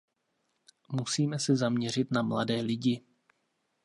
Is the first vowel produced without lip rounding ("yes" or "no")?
no